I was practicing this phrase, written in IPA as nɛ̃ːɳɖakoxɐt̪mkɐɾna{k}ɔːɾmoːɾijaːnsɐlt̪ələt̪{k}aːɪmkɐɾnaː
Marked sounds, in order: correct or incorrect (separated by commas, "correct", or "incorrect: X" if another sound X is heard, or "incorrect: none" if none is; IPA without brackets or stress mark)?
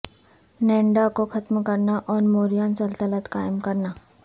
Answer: incorrect: ʔ, correct